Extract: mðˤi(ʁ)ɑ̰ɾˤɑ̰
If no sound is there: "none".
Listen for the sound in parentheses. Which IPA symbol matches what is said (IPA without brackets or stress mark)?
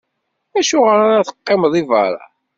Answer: v